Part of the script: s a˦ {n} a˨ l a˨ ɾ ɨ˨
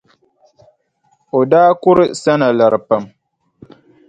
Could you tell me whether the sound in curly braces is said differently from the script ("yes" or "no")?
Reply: no